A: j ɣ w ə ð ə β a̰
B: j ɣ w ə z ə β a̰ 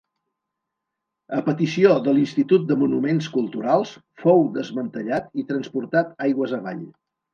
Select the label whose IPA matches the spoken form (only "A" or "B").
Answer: B